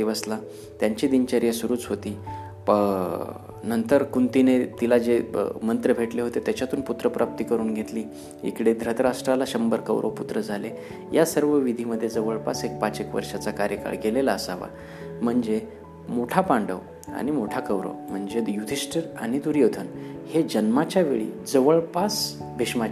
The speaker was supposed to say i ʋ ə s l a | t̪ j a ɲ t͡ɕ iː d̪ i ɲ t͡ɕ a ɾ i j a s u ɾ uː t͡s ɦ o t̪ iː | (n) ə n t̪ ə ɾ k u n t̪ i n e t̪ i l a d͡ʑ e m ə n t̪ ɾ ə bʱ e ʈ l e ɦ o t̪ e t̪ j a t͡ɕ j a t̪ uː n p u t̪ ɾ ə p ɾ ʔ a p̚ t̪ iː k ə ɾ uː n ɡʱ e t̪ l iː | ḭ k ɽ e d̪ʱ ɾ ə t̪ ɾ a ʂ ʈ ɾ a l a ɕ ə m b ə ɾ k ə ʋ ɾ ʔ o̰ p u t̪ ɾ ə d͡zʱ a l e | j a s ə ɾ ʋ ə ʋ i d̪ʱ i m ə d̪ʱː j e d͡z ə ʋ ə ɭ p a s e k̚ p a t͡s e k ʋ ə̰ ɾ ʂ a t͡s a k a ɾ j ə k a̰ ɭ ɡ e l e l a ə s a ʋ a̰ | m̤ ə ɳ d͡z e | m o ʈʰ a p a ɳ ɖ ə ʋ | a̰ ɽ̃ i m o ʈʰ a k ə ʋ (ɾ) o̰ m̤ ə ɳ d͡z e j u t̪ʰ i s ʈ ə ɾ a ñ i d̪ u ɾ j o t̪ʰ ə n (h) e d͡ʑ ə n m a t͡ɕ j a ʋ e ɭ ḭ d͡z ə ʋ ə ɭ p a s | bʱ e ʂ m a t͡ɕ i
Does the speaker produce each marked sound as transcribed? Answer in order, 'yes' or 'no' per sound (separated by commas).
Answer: yes, yes, yes